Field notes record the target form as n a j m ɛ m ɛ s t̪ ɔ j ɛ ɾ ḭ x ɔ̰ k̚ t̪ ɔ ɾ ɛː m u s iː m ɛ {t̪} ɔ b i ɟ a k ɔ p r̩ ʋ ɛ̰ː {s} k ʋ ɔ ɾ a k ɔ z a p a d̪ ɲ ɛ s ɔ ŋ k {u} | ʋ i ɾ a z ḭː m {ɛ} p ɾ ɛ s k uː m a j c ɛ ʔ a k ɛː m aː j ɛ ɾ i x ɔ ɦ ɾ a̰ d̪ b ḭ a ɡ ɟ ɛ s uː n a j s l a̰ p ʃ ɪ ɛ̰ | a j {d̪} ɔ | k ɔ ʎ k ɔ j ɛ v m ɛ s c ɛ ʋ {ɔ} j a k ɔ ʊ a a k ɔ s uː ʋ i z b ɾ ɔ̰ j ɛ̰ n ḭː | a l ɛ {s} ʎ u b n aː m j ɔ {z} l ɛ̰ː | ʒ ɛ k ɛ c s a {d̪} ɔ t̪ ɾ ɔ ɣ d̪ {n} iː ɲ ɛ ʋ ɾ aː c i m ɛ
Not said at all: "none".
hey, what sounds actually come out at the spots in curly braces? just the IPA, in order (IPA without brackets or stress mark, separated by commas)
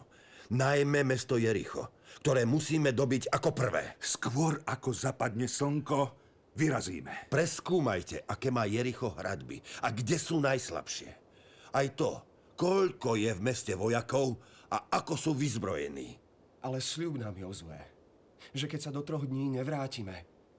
d̪, s, ɔ, ɛ, t̪, ɔ, s, z, d̪, ɲ